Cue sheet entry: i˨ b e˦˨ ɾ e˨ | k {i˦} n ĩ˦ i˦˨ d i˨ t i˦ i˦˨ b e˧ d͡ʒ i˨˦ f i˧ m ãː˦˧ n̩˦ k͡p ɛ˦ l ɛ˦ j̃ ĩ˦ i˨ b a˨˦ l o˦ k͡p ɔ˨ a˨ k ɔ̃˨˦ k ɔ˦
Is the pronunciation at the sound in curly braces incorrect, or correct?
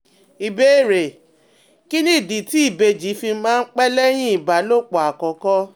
correct